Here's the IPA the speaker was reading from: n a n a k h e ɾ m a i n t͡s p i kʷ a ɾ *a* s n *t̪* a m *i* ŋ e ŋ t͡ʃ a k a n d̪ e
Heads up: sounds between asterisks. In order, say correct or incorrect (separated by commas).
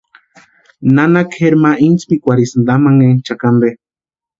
incorrect, incorrect, incorrect